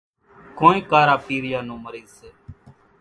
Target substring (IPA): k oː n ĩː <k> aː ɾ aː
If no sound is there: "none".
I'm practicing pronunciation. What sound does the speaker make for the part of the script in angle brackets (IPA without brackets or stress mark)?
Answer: k